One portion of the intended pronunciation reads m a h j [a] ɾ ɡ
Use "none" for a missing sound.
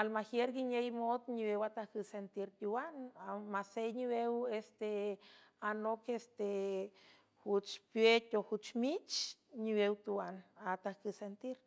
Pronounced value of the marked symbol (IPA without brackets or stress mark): e